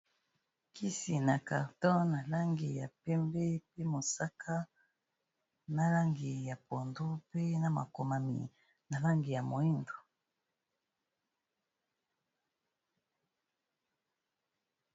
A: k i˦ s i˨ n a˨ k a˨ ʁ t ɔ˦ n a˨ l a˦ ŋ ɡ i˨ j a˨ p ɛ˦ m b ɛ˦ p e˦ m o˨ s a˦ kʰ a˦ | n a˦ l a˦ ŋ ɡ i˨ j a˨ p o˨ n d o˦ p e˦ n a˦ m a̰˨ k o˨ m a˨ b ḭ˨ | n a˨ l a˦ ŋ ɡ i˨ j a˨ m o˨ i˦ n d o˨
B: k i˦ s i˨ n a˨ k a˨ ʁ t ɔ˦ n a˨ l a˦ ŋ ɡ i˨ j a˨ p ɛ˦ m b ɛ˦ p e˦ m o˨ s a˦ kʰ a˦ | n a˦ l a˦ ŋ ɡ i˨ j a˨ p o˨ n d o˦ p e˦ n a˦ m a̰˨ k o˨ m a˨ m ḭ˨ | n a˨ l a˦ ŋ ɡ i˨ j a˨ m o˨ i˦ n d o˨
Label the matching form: B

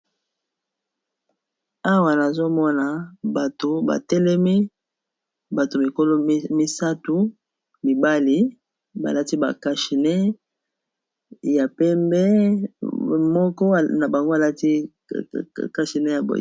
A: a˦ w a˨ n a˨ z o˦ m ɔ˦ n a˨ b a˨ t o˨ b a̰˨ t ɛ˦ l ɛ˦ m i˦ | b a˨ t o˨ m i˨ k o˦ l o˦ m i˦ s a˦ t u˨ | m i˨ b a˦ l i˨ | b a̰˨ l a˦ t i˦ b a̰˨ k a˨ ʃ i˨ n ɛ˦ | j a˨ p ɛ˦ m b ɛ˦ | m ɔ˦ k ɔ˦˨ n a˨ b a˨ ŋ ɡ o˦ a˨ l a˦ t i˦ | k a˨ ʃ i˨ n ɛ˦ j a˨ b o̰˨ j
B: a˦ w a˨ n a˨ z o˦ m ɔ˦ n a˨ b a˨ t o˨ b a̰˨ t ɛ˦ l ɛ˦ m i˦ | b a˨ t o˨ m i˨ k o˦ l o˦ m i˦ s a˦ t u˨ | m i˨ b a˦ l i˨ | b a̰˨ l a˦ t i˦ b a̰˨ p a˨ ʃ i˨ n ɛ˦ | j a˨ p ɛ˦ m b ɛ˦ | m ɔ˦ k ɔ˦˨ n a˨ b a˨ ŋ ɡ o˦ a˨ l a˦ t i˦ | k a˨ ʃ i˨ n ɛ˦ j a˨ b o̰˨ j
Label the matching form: A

